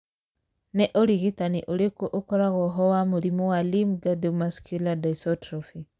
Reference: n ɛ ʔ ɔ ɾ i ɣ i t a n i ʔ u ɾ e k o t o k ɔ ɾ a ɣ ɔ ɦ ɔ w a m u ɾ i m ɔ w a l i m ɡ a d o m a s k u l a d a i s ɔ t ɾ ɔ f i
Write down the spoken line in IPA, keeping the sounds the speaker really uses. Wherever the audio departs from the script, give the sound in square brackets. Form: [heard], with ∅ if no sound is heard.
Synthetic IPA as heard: n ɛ ʔ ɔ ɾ i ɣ i t a n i ʔ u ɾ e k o [ʔ] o k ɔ ɾ a ɣ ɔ ɦ ɔ w a m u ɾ i m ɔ w a l i m ɡ a d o m a s k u l a d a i s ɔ t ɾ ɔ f i